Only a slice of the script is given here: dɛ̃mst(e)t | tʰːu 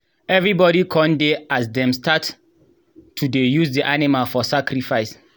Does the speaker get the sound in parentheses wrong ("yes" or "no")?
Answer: yes